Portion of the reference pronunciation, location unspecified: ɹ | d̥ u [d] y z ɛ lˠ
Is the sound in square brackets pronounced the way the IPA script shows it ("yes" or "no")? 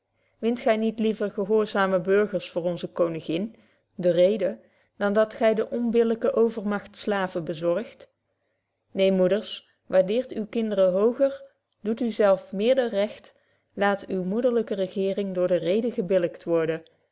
no